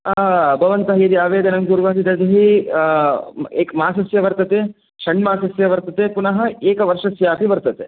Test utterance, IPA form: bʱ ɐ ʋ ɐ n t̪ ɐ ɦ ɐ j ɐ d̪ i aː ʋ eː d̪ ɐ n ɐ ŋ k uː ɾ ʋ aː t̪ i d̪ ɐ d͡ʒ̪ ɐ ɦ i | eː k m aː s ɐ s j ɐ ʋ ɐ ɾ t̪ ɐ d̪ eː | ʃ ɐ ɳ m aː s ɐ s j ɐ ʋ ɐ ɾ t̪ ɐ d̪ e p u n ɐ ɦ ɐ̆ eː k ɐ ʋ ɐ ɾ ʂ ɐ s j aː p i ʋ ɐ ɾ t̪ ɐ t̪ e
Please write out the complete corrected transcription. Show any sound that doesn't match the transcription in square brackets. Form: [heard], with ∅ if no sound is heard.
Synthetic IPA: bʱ ɐ ʋ ɐ n t̪ ɐ ɦ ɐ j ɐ d̪ i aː ʋ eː d̪ ɐ n ɐ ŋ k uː ɾ ʋ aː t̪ i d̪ ɐ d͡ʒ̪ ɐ ɦ i | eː k m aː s ɐ s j ɐ ʋ ɐ ɾ t̪ ɐ [t̪] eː | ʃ ɐ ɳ m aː s ɐ s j ɐ ʋ ɐ ɾ t̪ ɐ [t̪] e p u n ɐ ɦ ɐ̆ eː k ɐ ʋ ɐ ɾ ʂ ɐ s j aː p i ʋ ɐ ɾ t̪ ɐ t̪ e